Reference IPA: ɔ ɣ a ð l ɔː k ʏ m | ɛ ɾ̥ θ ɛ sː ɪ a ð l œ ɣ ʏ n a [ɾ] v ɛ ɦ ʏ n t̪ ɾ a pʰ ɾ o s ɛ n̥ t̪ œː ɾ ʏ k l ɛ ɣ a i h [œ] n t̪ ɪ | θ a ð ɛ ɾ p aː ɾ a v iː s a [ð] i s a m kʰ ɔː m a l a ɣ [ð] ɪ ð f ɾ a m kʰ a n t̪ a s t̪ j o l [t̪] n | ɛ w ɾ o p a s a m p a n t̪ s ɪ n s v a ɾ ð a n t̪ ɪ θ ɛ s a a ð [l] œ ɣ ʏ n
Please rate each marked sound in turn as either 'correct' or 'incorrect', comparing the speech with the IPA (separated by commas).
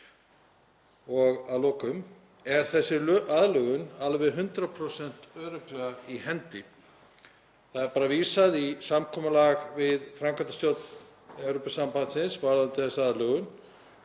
incorrect, incorrect, correct, incorrect, correct, correct